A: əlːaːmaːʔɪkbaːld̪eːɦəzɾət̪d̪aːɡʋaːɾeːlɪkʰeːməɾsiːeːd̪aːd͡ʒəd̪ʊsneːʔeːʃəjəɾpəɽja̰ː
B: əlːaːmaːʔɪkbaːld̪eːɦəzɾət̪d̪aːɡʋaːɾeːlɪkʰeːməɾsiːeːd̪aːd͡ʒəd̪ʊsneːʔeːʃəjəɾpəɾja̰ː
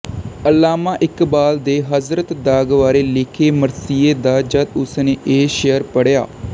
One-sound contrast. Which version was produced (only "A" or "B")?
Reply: A